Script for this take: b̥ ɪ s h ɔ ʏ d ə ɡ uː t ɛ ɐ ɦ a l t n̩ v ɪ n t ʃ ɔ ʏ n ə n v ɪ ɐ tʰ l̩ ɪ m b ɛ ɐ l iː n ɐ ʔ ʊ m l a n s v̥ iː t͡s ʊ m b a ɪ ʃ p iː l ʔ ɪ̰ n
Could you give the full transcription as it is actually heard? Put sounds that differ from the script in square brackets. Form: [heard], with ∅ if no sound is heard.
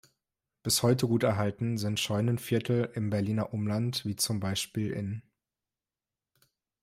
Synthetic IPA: b̥ ɪ s h ɔ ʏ [t] ə ɡ uː t ɛ ɐ ɦ a l t n̩ [z] ɪ n t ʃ ɔ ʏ n ə n [f] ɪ ɐ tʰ l̩ ɪ m b ɛ ɐ l iː n ɐ ʔ ʊ m l a n [t] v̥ iː t͡s ʊ m b a ɪ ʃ p iː l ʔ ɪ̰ n